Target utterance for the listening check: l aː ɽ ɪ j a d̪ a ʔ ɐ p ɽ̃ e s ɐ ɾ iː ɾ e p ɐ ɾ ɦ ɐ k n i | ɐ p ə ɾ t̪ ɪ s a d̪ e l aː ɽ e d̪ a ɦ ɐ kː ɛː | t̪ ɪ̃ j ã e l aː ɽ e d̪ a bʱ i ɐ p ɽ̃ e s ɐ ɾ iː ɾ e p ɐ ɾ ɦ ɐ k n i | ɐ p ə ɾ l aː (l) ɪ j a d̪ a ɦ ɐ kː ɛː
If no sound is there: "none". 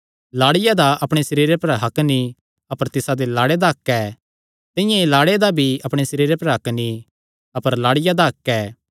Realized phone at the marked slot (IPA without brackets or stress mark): ɽ